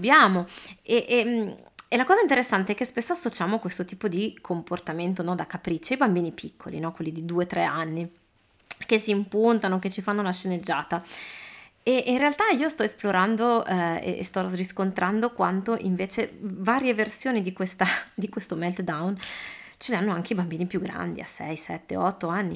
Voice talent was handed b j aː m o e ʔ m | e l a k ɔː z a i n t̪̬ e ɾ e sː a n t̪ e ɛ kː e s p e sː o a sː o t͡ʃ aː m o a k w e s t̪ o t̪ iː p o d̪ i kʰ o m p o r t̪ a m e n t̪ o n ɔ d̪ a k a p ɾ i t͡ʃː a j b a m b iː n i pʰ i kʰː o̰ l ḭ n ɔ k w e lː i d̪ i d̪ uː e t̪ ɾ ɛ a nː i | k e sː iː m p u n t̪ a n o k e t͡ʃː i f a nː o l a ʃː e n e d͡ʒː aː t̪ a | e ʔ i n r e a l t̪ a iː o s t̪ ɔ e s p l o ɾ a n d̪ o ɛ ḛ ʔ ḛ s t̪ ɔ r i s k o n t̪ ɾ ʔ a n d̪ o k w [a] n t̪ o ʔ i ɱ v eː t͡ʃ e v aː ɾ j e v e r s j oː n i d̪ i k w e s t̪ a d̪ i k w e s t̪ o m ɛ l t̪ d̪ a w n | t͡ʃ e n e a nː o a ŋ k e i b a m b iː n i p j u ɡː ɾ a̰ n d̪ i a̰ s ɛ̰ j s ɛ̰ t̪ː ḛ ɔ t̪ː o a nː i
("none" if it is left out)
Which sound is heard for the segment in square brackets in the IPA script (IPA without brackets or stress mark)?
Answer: a